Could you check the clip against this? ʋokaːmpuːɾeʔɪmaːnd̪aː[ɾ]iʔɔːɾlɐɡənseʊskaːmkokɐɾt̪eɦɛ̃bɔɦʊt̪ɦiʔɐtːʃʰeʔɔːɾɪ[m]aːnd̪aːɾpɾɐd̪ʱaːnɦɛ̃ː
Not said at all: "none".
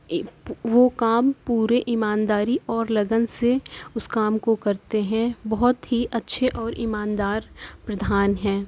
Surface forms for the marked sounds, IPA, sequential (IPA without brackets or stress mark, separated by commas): ɾ, m